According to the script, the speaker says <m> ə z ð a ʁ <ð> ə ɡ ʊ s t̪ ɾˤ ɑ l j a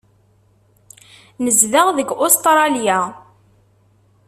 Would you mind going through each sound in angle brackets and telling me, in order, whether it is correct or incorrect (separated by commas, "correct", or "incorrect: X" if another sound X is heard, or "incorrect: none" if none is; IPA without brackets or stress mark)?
incorrect: n, correct